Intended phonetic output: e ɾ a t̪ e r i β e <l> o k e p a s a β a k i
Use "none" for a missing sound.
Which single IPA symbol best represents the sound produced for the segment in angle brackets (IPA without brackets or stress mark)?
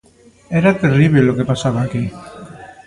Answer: l